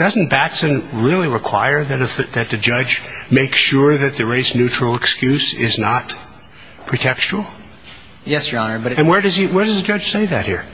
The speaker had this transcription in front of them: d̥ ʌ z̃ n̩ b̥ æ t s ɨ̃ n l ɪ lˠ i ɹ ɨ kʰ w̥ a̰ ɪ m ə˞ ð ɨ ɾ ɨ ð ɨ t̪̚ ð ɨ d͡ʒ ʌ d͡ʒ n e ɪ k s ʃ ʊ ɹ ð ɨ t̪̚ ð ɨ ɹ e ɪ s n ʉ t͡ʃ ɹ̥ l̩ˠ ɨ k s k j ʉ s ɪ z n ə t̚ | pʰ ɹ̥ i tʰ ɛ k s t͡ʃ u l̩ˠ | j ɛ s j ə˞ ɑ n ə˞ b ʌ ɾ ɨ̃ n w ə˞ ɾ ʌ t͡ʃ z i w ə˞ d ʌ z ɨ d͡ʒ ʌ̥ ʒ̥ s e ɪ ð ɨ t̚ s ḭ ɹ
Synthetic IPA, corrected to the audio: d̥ ʌ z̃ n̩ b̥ æ t s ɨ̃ n ɹ ɪ lˠ i ɹ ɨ kʰ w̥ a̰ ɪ ə˞ ð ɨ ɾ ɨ ð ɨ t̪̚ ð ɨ d͡ʒ ʌ d͡ʒ m e ɪ k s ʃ ʊ ɹ ð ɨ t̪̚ ð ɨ ɹ e ɪ s n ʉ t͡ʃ ɹ̥ l̩ˠ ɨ k s k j ʉ s ɪ z n ə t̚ | pʰ ɹ̥ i tʰ ɛ k s t͡ʃ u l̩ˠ | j ɛ s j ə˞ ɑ n ə˞ b ʌ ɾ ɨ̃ n w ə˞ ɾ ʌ z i w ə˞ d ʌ z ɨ d͡ʒ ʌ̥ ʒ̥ s e ɪ ð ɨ t̚ h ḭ ɹ